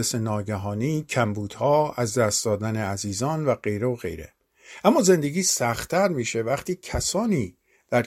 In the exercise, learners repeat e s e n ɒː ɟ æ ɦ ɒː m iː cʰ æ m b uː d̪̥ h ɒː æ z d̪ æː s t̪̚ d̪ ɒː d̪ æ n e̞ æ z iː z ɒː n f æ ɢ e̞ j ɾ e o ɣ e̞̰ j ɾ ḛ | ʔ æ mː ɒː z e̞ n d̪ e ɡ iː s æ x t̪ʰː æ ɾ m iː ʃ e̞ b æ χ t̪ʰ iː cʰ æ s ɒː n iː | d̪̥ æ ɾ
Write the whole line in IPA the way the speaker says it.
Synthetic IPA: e s e n ɒː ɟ æ ɦ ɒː n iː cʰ æ m b uː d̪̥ h ɒː æ z d̪ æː s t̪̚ d̪ ɒː d̪ æ n e̞ æ z iː z ɒː n v æ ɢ e̞ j ɾ e o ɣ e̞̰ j ɾ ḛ | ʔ æ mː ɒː z e̞ n d̪ e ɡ iː s æ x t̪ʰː æ ɾ m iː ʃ e̞ v æ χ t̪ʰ iː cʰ æ s ɒː n iː | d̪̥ æ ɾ